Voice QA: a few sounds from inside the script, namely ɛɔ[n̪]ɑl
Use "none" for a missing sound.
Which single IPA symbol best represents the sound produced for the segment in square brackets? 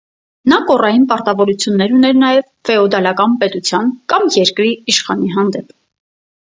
d̪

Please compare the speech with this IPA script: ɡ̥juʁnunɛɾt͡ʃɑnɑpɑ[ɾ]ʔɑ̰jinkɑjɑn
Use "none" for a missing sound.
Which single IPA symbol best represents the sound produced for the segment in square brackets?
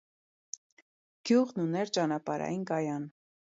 ɾ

